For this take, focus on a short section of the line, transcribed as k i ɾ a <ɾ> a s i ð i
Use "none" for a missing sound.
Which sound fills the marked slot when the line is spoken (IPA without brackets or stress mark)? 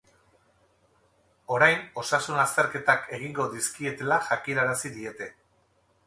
ɾ